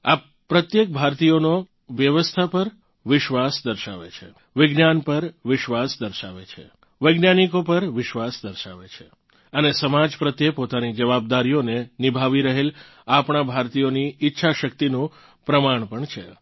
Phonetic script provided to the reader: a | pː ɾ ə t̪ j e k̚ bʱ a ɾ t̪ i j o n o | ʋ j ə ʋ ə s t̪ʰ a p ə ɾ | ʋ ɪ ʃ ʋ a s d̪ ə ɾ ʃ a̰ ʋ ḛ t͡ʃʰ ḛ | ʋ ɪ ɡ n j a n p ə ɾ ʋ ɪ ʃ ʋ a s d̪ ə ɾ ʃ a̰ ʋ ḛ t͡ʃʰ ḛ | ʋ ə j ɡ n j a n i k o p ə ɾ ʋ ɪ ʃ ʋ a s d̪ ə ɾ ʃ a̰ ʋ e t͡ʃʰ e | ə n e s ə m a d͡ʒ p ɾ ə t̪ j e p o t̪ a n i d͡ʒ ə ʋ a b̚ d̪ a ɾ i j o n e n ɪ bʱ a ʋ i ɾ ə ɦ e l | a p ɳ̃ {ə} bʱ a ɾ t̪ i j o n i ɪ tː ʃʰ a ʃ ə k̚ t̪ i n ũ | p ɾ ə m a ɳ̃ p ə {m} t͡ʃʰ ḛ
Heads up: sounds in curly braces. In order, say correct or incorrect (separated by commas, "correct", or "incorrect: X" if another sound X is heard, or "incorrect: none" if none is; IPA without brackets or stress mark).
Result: incorrect: a, incorrect: ɳ